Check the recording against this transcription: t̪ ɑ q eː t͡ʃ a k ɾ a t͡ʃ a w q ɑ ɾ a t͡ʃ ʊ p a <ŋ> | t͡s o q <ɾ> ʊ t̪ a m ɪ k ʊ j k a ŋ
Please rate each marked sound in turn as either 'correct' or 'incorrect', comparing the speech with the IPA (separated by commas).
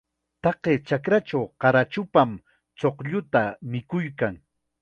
incorrect, incorrect